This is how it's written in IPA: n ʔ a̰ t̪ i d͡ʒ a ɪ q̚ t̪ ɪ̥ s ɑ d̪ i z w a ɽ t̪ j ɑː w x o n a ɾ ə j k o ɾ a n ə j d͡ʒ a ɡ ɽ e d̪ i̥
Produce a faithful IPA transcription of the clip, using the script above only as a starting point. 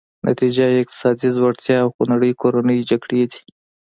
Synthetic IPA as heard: n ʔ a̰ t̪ i d͡ʒ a ɪ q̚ t̪ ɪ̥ s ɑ d̪ i z w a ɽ t̪ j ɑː w x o n a ɽ ə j k o ɾ a n ə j d͡ʒ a ɡ ɽ e d̪ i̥